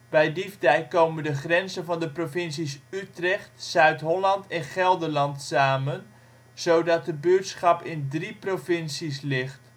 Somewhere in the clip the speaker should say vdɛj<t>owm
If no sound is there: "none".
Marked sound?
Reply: k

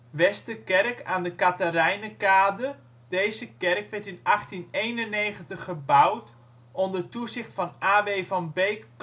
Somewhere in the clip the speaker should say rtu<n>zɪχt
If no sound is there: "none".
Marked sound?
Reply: none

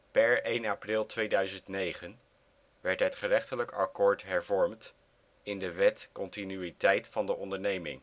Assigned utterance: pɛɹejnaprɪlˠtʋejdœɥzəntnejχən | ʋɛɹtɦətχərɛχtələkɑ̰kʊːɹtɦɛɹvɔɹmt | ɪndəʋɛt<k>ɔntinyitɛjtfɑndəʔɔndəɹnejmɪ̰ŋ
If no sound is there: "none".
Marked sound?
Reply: k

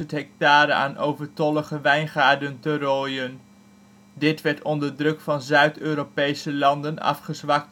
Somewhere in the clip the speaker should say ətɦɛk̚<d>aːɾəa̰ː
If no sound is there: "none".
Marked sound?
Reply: t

